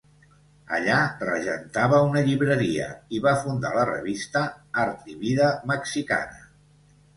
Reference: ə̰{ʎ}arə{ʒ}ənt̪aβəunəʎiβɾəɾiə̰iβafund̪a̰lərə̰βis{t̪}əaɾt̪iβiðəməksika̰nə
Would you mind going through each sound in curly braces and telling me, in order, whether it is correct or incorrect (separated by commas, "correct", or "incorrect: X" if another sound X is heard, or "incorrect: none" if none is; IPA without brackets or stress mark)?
correct, correct, correct